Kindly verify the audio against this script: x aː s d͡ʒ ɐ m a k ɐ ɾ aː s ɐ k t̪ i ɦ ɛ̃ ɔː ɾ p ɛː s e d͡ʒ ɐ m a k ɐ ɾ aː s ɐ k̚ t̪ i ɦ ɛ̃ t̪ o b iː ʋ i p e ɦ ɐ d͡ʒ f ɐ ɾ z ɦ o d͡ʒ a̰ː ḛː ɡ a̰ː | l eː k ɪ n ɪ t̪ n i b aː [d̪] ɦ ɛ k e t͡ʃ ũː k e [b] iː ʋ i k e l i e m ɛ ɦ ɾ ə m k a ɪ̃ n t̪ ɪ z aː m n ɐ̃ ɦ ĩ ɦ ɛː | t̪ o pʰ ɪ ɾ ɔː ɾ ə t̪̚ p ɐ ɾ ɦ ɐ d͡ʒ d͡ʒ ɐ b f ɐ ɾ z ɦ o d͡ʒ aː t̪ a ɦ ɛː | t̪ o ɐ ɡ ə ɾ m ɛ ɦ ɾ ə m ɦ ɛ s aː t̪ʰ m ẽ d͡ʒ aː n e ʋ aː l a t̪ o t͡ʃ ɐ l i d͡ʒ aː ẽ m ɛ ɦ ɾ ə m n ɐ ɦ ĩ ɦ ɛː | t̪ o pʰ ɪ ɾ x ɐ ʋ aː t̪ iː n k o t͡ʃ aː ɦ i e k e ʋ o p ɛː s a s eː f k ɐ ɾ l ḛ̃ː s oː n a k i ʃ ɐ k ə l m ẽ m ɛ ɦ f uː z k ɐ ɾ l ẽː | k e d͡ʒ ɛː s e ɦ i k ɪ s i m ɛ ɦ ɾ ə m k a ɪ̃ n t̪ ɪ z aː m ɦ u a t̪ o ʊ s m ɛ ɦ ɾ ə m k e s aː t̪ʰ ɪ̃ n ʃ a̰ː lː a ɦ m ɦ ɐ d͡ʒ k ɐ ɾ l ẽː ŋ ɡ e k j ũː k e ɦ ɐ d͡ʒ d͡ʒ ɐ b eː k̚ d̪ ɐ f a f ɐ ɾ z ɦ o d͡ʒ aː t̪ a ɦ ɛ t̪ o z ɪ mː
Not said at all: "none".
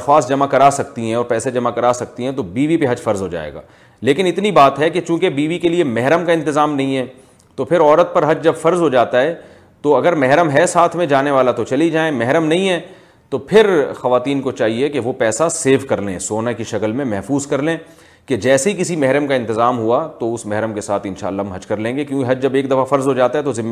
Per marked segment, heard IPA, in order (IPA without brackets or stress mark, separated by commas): t̪, b